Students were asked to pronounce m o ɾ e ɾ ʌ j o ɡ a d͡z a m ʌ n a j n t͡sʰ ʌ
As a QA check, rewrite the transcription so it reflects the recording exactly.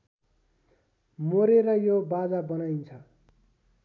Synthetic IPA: m o ɾ e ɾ ʌ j o b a d͡z a b ʌ n a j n t͡sʰ ʌ